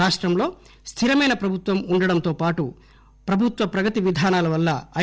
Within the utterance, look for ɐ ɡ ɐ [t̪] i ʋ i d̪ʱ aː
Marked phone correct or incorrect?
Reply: correct